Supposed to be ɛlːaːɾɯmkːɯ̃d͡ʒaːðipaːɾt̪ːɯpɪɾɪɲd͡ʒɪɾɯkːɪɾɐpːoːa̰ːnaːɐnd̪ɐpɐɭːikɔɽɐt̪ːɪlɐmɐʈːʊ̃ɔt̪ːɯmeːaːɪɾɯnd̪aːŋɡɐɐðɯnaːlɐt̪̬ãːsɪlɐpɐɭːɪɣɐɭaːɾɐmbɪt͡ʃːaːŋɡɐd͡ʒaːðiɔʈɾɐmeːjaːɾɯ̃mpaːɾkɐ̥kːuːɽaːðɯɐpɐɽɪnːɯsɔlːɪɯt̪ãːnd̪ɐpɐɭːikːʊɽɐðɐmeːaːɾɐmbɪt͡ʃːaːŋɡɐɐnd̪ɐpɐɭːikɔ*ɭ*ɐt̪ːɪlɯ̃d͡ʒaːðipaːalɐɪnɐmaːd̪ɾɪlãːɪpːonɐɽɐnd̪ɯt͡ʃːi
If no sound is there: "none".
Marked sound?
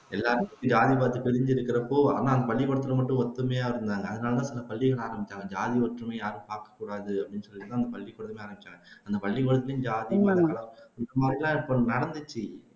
ɽ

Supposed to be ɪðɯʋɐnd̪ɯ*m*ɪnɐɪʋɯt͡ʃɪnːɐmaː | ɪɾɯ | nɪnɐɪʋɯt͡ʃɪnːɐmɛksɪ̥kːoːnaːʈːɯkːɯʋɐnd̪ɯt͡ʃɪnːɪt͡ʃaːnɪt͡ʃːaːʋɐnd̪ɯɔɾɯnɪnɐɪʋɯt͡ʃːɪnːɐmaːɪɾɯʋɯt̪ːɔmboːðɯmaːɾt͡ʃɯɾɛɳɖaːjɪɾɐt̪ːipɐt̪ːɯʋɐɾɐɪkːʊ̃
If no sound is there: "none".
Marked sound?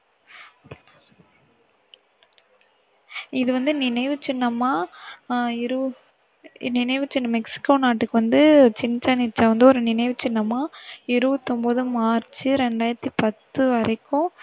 n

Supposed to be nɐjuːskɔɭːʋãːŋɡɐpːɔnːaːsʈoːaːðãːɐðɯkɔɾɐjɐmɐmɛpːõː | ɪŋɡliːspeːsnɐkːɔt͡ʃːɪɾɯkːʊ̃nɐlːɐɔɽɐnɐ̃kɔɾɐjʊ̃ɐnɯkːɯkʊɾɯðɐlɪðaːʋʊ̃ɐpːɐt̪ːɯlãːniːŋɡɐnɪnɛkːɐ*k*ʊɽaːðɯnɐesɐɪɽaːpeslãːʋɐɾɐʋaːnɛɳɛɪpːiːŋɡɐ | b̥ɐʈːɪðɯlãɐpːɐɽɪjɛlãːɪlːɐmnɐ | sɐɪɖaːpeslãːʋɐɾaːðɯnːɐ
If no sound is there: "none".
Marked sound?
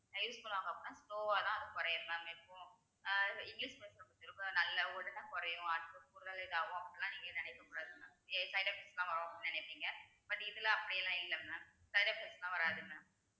k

